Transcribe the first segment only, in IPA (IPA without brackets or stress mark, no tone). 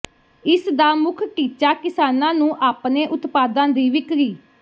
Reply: ɪ